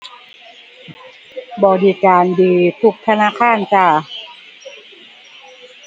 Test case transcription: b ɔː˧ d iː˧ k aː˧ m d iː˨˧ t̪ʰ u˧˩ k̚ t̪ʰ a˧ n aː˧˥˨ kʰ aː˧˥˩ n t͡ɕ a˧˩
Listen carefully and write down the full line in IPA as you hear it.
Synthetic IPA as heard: b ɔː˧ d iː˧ k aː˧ n d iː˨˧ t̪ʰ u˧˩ k̚ t̪ʰ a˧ n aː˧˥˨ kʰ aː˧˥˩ n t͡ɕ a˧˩

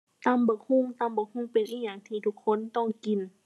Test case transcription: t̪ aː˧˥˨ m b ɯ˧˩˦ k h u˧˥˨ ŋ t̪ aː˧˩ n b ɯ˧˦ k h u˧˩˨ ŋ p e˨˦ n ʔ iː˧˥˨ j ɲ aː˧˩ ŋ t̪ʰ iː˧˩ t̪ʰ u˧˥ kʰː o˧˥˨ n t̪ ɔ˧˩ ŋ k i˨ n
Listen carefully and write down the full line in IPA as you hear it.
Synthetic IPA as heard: t̪ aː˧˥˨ m b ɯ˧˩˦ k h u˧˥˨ ŋ t̪ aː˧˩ m b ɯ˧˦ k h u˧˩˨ ŋ p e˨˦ n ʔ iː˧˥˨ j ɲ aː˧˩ ŋ t̪ʰ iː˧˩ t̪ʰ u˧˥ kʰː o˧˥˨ n t̪ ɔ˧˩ ŋ k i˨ n

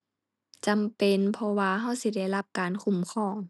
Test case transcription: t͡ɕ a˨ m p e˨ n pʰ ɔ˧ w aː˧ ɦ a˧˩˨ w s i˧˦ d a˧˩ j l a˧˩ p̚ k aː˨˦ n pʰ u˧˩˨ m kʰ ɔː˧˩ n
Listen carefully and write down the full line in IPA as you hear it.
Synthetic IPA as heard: t͡ɕ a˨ m p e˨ n pʰ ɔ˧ w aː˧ ɦ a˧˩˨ w s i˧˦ d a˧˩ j l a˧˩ p̚ k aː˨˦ n kʰ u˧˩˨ m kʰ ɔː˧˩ ŋ

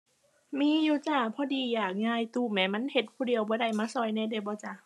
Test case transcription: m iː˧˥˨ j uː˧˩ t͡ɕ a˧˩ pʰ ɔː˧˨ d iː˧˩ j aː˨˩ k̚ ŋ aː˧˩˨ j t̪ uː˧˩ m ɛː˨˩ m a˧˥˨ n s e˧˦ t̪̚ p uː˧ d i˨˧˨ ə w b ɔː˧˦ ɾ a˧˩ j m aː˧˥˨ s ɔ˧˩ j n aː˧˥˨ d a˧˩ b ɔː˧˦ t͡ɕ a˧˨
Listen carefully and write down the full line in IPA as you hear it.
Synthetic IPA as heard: m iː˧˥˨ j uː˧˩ t͡ɕ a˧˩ pʰ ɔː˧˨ d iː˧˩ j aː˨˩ k̚ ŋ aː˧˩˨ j t̪ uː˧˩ m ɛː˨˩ m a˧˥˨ n h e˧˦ t̪̚ pʰ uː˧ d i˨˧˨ ə w b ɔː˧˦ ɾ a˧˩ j m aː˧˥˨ s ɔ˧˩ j n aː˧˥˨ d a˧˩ b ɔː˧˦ t͡ɕ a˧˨

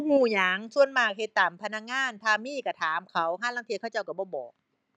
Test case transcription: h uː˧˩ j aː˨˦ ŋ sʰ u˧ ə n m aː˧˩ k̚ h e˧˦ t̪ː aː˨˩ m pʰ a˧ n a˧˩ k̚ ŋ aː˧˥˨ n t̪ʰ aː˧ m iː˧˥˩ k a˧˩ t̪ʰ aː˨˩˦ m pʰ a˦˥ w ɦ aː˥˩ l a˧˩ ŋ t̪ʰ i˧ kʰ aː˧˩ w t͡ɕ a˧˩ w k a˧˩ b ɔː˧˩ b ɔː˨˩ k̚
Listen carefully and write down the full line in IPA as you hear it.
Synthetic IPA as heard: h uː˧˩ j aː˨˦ ŋ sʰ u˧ ə n m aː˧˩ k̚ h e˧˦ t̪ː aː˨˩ m pʰ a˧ n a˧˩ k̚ ŋ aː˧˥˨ n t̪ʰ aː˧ m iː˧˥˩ k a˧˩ t̪ʰ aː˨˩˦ m kʰ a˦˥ w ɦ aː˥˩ l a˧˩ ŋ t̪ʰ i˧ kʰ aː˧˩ w t͡ɕ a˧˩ w k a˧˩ b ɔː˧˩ b ɔː˨˩ k̚

